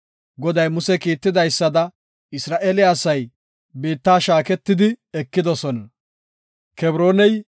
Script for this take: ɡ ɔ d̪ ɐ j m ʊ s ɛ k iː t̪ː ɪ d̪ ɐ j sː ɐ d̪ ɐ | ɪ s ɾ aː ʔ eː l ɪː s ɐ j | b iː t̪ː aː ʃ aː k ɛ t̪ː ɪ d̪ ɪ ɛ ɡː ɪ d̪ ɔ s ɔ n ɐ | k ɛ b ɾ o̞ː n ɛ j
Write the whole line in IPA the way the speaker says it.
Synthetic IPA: ɡ ɔ d̪ ɐ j m ʊ s ɛ k iː t̪ː ɪ d̪ ɐ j sː ɐ d̪ ɐ | ɪ s ɾ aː ʔ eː l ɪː s ɐ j | b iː t̪ː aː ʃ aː k ɛ t̪ː ɪ d̪ ɪ ɛ kː ɪ d̪ ɔ s ɔ n ɐ | k ɛ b ɾ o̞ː n ɛ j